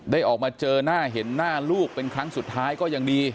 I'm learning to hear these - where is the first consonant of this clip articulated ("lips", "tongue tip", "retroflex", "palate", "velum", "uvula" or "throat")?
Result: tongue tip